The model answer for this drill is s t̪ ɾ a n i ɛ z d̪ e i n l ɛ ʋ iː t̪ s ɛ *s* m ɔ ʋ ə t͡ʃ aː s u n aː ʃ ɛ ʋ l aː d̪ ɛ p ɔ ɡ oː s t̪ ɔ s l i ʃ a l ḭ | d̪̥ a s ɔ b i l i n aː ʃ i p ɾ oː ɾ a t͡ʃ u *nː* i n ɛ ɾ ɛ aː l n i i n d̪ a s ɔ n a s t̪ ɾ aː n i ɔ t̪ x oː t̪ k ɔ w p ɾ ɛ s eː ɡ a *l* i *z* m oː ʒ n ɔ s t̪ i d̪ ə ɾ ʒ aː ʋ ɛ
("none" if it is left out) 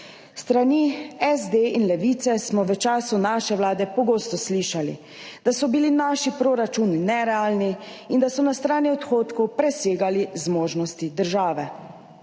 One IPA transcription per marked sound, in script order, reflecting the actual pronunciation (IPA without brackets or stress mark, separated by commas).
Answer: s, n, l, z